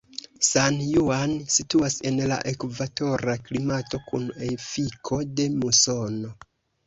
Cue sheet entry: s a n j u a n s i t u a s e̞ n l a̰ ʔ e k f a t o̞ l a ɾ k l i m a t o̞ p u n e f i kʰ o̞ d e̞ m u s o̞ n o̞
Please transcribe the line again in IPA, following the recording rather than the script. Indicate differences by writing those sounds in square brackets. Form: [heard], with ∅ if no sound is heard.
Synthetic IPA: s a n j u a n s i t u a s e̞ n l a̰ ʔ e k [v] a t o̞ [ɾ] a [∅] k l i m a t o̞ [k] u n e f i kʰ o̞ d e̞ m u s o̞ n o̞